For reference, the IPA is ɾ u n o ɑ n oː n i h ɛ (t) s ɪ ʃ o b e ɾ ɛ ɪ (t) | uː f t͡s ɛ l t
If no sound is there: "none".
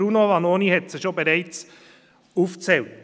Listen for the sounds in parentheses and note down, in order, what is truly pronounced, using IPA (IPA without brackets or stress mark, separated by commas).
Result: t, t͡s